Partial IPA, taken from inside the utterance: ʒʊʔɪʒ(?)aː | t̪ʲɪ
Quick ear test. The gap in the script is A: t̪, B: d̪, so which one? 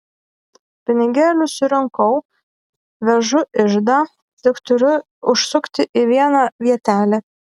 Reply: B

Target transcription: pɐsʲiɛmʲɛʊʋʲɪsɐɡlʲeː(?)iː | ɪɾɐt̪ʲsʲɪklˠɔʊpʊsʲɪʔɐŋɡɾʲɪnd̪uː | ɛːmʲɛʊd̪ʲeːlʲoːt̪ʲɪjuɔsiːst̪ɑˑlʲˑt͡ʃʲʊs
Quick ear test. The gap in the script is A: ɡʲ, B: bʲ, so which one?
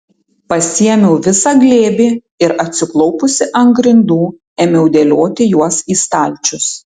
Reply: B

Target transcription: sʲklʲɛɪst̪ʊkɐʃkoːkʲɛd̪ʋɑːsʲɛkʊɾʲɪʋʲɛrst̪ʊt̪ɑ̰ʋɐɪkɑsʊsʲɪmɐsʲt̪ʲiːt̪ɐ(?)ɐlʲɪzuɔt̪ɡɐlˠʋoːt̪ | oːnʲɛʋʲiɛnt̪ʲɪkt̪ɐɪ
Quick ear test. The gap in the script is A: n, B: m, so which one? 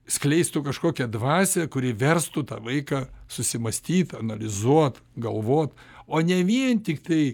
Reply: A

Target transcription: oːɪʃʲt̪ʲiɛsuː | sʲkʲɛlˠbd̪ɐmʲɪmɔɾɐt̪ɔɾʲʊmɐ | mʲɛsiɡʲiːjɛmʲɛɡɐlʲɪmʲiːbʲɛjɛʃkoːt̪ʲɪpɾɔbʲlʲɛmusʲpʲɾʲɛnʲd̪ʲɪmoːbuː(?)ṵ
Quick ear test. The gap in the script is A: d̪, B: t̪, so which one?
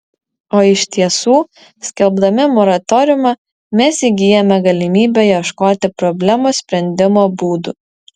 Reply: A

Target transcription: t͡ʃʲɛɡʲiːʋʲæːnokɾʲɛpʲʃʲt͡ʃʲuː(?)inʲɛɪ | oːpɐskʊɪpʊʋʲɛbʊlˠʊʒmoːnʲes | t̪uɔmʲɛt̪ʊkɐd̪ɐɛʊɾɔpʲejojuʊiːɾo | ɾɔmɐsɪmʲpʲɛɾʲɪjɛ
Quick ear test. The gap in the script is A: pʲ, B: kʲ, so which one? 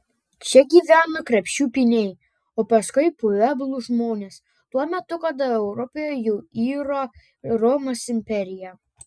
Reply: A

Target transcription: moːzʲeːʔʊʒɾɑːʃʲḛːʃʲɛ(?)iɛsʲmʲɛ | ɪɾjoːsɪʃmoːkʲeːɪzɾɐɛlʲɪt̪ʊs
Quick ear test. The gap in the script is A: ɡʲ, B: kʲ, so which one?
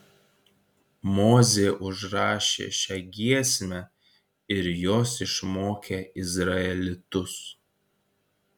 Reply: A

